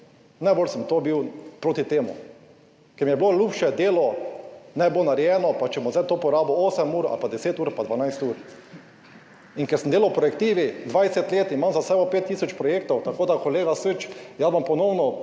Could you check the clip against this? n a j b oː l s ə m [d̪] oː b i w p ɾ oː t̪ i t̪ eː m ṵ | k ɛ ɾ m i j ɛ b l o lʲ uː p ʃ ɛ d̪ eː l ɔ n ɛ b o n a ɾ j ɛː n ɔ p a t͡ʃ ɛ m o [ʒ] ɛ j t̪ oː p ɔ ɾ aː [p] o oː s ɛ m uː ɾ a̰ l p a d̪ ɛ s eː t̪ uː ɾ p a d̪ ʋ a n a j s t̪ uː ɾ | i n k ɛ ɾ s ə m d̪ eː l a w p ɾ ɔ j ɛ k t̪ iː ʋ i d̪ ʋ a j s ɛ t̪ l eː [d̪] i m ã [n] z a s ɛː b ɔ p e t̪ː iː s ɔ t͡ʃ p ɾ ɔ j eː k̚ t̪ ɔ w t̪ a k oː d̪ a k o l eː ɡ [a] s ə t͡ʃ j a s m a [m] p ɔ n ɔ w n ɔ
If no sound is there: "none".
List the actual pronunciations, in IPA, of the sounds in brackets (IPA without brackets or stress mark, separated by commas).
t̪, z, b, t̪, m, a, m